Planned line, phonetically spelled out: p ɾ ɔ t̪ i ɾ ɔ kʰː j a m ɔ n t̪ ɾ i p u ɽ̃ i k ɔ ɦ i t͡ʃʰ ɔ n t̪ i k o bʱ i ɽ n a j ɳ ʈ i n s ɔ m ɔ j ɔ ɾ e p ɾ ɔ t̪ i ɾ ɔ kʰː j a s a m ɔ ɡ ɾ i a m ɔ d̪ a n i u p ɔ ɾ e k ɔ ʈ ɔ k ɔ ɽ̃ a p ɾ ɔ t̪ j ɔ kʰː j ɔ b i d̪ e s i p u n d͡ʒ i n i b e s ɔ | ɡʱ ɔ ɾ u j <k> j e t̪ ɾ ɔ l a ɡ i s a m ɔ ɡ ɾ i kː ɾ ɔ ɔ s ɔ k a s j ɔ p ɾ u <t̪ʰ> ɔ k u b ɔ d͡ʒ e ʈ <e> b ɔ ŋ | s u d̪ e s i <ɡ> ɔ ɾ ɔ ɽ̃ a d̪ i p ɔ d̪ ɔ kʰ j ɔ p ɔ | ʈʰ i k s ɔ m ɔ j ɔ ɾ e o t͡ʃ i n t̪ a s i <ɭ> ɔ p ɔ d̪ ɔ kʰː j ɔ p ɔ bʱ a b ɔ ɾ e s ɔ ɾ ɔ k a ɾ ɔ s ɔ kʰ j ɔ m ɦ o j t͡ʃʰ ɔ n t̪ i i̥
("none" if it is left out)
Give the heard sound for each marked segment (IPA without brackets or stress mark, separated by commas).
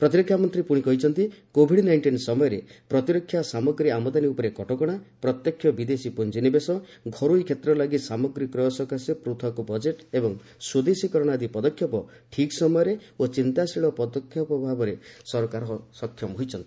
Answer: kʰ, t̪ʰ, e, k, ɭ